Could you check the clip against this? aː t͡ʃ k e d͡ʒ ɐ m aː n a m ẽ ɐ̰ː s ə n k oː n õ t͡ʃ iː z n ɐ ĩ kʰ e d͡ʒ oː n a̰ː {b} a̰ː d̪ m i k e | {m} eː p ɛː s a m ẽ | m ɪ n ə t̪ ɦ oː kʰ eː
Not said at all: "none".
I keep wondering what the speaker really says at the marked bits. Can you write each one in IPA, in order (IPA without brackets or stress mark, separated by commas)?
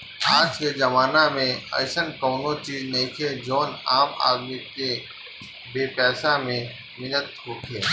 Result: m, b